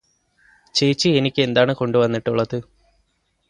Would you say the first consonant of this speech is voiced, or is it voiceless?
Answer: voiceless